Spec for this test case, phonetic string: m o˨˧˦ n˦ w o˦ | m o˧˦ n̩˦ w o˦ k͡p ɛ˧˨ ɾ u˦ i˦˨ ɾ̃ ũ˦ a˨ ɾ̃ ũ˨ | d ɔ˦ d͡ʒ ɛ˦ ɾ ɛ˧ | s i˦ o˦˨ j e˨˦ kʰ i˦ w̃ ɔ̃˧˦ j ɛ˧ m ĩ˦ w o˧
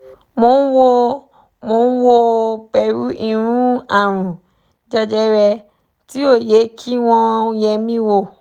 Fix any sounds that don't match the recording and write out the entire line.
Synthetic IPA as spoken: m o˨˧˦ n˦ w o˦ | m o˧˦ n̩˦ w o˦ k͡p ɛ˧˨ ɾ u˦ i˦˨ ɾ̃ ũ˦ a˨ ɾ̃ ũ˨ | d͡ʒ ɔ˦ d͡ʒ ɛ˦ ɾ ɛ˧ | t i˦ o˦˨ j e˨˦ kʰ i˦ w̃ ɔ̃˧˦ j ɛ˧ m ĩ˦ w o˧